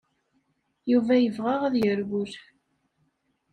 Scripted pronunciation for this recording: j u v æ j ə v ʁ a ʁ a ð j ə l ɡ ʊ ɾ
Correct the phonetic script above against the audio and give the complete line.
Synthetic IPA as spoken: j u v æ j ə v ʁ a ʁ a ð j ə ɾ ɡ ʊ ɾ